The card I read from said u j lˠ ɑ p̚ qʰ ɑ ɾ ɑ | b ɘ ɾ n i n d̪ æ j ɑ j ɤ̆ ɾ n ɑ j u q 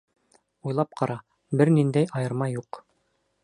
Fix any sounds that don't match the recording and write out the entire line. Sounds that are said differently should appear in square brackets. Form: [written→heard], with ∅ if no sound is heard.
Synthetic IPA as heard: u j lˠ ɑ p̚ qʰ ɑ ɾ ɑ | b ɘ ɾ n i n d̪ æ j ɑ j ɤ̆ ɾ [n→m] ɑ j u q